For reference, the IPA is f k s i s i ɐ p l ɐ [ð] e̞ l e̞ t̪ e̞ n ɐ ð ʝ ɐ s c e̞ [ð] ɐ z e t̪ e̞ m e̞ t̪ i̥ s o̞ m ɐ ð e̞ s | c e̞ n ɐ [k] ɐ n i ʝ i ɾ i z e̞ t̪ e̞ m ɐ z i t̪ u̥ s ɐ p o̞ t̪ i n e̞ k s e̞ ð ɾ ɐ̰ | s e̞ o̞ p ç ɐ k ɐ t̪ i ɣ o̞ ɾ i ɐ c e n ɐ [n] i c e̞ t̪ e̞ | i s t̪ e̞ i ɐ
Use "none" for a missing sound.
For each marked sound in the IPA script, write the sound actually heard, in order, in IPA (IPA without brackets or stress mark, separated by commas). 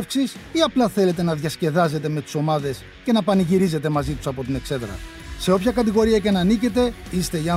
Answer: θ, ð, p, n